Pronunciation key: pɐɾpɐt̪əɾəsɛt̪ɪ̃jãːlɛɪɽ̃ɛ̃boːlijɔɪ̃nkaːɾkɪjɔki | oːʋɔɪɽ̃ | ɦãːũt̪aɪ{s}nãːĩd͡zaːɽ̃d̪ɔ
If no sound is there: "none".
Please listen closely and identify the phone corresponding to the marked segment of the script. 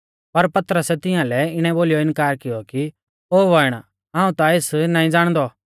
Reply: s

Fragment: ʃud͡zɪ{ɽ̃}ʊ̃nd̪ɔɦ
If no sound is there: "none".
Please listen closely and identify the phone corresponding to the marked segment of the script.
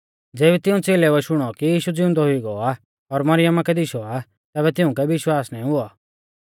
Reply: none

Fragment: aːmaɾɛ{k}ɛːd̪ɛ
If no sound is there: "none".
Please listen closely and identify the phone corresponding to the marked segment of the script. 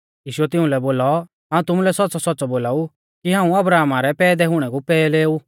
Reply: p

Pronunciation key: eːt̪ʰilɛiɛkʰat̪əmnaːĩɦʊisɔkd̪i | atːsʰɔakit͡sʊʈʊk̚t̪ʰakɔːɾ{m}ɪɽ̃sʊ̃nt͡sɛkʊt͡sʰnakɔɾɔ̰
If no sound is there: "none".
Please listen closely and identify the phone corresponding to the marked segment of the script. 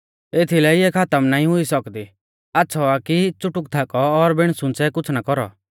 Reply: b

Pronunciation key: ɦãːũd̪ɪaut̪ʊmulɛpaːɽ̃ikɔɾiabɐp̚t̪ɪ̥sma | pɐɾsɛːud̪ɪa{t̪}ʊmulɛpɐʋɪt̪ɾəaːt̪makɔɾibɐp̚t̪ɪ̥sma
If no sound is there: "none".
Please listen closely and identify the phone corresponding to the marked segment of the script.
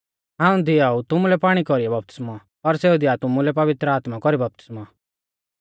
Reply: t̪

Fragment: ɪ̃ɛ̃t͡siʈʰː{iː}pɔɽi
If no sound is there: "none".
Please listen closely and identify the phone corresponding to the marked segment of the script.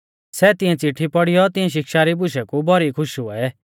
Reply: i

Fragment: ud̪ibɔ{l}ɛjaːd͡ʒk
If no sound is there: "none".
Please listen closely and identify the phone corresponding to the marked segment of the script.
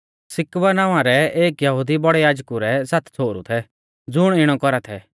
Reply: ɽ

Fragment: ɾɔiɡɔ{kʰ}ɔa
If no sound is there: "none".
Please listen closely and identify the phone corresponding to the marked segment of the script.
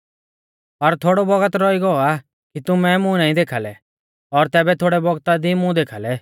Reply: none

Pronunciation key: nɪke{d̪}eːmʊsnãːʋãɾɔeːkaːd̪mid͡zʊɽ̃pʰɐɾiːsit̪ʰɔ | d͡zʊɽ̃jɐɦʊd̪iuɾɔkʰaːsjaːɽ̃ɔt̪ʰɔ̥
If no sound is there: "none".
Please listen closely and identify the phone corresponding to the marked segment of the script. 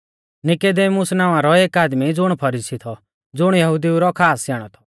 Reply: d̪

